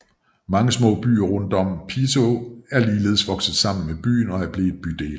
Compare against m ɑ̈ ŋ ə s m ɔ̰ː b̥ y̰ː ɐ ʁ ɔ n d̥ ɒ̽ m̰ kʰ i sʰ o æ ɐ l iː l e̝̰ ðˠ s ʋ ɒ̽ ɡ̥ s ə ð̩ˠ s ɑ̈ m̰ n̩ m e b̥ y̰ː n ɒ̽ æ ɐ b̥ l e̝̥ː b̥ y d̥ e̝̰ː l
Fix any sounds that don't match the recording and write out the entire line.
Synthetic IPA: m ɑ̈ ŋ ə s m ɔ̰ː b̥ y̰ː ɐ ʁ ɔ n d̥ ɒ̽ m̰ pʰ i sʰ o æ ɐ l iː l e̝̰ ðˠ s ʋ ɒ̽ ɡ̥ s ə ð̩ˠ s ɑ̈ m̰ n̩ m e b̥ y̰ː n ɒ̽ æ ɐ b̥ l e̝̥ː b̥ y d̥ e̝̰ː l